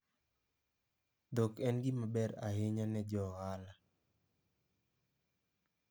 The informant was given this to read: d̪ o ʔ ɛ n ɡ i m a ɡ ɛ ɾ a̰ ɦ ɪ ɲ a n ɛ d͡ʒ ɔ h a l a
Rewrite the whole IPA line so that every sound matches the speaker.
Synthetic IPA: d̪ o k ɛ n ɡ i m a b ɛ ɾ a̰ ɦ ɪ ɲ a n ɛ d͡ʒ ɔ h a l a